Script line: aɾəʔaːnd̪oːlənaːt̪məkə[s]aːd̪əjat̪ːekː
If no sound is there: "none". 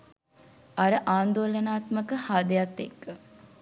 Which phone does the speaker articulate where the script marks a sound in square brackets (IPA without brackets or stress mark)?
h